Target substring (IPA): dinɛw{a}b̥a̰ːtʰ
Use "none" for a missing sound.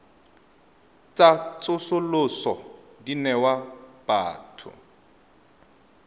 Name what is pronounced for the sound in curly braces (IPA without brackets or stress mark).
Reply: a